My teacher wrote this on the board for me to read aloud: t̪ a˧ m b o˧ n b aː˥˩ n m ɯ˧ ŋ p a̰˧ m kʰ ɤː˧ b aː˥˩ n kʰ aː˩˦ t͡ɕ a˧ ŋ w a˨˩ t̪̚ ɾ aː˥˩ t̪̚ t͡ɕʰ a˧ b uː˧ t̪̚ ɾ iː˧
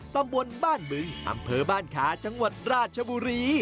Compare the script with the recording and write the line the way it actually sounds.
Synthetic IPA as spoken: t̪ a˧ m b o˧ n b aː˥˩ n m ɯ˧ ŋ ʔ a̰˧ m pʰ ɤː˧ b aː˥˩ n kʰ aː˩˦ t͡ɕ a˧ ŋ w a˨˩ t̪̚ ɾ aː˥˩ t̪̚ t͡ɕʰ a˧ b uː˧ ɾ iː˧